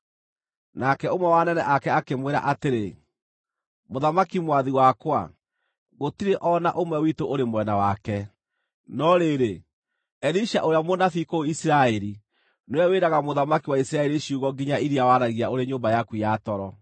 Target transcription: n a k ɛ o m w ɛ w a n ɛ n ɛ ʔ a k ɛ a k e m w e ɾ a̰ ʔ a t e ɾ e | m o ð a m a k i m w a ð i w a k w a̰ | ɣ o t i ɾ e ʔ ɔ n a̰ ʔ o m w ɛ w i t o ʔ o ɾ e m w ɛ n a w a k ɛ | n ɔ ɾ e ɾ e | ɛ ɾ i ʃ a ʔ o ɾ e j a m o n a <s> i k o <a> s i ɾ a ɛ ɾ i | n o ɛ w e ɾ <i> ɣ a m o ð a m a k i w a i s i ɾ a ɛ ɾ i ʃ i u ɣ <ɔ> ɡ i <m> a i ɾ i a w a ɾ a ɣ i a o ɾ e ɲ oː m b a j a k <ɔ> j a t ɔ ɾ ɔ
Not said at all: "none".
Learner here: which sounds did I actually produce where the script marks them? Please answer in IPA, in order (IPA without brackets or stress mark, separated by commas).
f, i, a, ɔ, ɲ, u